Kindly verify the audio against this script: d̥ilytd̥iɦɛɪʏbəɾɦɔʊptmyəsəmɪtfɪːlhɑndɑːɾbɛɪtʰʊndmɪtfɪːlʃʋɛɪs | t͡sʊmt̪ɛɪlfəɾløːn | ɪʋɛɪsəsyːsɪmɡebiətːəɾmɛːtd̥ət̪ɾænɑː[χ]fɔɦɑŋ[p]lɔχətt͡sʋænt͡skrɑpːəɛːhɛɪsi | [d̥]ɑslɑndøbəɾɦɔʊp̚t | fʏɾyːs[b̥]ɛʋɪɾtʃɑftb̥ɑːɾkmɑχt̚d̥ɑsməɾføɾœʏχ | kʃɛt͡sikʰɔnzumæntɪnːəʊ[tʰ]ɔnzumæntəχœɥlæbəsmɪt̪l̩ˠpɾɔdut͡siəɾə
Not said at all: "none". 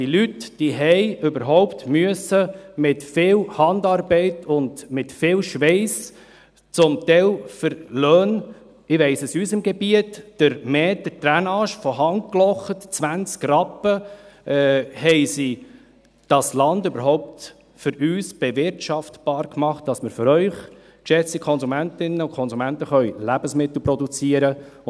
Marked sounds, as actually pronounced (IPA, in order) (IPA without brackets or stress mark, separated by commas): ʃ, k, d̥, b̥, kʰ